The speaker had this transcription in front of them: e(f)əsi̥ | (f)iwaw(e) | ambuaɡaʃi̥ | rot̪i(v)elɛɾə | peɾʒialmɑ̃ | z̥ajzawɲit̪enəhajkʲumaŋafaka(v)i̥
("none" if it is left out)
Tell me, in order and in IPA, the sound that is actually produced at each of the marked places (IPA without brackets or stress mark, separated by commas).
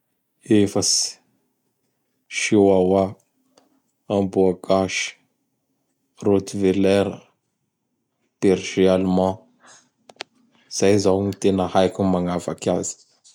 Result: f, ʃ, a, v, z